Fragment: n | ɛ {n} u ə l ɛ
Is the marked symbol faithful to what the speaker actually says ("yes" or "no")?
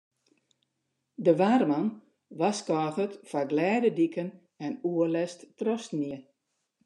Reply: yes